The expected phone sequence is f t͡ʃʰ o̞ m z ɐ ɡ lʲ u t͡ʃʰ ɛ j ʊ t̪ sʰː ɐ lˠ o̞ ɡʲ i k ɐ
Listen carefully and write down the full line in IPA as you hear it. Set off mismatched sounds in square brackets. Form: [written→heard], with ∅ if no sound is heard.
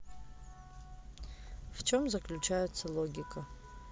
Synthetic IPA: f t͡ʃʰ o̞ m z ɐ [ɡ→k] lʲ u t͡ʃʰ [ɛ→a] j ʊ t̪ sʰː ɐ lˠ o̞ ɡʲ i k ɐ